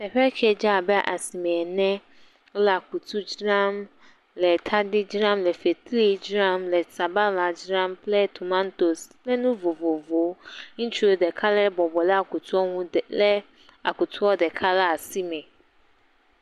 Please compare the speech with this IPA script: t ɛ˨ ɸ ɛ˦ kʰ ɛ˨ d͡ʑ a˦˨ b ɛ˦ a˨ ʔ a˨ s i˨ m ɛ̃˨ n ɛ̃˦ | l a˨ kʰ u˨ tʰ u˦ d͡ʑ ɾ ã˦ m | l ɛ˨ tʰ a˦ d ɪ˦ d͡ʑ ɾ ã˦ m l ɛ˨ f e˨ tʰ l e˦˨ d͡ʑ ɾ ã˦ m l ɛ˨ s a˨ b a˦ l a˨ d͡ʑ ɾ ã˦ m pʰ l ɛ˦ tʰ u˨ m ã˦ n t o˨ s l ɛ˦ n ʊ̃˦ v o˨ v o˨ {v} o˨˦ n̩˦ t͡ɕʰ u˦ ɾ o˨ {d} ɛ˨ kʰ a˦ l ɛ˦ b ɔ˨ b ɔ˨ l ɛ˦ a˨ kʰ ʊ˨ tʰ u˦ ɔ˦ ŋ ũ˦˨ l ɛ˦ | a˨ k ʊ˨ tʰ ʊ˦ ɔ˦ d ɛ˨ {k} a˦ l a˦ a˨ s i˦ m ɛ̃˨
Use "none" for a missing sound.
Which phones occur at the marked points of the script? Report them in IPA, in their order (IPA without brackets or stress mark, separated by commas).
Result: v, d, kʰ